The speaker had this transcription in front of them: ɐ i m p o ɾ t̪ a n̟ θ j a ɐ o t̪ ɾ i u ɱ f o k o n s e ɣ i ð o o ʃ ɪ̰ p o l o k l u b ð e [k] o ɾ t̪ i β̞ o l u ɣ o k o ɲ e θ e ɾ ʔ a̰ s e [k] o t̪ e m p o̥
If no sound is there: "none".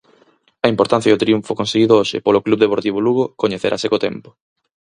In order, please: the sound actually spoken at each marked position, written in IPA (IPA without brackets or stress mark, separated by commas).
p, k